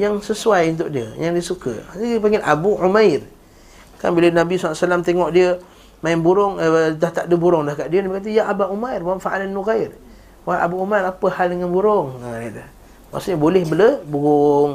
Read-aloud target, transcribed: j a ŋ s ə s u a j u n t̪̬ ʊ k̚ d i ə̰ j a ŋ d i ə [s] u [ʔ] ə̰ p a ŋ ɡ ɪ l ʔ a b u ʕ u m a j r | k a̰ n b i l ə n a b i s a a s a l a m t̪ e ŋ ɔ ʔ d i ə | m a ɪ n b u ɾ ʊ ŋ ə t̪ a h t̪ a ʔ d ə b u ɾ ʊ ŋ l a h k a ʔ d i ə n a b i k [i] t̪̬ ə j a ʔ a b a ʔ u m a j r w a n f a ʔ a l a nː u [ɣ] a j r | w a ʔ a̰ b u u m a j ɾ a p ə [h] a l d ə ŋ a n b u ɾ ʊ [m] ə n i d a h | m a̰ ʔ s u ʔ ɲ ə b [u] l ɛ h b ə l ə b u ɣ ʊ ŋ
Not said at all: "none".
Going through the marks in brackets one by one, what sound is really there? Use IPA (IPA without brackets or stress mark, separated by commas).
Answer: s, k, a, ɣ, h, ŋ, o